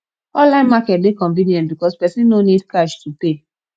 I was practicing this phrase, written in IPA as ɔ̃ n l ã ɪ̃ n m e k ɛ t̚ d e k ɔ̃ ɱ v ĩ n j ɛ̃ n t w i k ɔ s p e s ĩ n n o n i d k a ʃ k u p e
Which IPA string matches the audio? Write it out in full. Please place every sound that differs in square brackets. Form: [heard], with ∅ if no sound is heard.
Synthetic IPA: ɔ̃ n l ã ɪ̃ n m [a] k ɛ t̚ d e k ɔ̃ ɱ v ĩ n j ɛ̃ n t [b] i k ɔ s p [ɛ] s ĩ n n o n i d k a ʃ [t] u p e